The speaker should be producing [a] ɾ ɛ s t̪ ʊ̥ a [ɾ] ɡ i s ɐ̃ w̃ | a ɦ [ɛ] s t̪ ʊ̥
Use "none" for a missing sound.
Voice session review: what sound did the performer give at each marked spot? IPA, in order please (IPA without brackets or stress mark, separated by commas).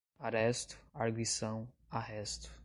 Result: a, ɾ, ɛ